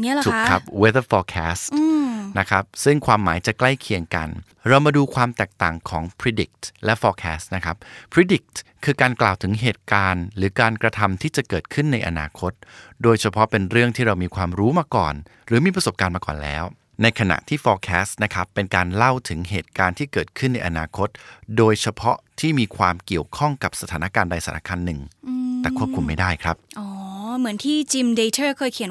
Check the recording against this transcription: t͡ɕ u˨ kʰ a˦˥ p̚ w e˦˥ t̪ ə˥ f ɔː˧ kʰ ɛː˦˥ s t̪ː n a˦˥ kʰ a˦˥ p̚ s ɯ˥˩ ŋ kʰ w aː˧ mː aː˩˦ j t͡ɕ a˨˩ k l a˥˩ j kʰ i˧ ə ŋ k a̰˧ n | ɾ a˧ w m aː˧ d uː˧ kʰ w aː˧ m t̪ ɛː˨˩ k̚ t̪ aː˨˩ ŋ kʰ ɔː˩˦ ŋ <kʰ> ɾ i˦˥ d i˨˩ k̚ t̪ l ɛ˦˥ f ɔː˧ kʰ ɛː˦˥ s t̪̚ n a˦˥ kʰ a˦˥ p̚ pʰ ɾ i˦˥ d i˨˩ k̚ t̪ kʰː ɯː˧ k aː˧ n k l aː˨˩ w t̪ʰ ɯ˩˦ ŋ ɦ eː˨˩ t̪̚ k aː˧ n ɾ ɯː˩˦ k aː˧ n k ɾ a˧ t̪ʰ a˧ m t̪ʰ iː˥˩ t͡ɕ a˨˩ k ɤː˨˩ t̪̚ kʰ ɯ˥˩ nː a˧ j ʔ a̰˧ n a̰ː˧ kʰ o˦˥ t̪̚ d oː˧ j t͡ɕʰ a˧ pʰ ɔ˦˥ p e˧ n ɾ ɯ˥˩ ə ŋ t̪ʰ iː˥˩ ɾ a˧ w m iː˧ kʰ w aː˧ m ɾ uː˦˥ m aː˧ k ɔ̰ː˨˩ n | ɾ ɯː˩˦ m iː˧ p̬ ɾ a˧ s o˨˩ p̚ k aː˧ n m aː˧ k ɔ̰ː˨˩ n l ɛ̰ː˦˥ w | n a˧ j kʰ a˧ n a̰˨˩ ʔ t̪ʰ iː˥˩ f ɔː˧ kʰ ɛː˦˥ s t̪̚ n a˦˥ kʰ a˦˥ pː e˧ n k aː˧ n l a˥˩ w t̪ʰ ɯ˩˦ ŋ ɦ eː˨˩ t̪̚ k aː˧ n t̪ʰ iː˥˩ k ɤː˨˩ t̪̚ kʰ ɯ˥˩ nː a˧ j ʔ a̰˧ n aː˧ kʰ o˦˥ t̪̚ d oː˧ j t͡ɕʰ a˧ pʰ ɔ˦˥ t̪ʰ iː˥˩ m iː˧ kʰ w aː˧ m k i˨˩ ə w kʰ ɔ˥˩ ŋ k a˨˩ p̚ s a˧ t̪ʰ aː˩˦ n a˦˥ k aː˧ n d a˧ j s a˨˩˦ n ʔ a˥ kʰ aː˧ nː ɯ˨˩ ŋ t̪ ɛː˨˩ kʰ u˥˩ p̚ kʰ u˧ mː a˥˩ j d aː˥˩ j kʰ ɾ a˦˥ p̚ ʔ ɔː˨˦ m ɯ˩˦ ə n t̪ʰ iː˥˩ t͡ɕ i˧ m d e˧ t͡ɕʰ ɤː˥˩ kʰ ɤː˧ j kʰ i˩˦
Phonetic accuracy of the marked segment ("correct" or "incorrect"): incorrect